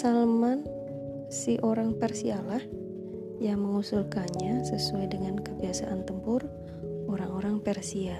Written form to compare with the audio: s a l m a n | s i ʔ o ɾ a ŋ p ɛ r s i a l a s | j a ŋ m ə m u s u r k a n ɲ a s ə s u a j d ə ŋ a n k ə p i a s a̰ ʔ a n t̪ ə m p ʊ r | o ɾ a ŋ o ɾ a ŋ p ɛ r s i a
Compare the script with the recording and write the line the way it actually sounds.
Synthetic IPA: s a l m a n | s i ʔ o ɾ a ŋ p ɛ r s i a l a h | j a ŋ m ə ŋ u s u l k a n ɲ a s ə s u a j d ə ŋ a n k ə b i a s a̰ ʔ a n t̪ ə m p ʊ r | o ɾ a ŋ o ɾ a ŋ p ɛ r s i a